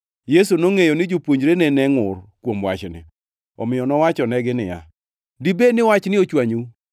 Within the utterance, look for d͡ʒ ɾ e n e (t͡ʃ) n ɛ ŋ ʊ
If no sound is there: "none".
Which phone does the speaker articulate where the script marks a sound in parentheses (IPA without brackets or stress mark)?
none